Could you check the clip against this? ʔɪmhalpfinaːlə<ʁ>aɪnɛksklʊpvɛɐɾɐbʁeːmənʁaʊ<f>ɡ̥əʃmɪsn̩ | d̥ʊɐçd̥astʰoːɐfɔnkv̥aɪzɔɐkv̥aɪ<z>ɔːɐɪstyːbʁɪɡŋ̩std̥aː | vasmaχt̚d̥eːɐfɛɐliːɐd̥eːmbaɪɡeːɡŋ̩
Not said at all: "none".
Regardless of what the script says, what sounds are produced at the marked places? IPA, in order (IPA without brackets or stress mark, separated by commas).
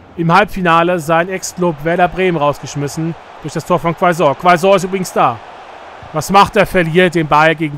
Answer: z, s, z